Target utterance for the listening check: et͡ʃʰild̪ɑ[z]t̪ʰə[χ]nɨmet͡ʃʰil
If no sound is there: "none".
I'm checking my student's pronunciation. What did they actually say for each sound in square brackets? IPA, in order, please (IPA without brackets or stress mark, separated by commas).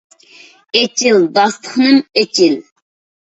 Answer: s, χ